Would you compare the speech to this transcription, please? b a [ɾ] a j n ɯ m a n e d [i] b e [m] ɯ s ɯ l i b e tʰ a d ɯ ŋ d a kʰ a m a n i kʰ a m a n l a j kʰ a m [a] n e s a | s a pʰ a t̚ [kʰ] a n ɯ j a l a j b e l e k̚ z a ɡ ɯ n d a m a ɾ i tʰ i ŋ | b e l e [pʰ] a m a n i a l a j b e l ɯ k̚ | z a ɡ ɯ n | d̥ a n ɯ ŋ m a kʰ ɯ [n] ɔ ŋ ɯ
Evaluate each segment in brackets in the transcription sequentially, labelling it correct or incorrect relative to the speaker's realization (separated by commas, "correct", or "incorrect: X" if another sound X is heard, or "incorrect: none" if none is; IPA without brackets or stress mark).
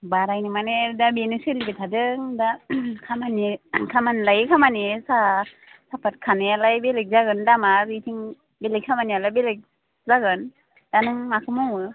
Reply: correct, incorrect: a, incorrect: n, correct, correct, incorrect: kʰ, incorrect: m